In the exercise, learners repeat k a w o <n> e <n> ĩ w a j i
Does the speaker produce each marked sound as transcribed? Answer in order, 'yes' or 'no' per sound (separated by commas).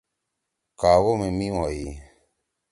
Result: no, no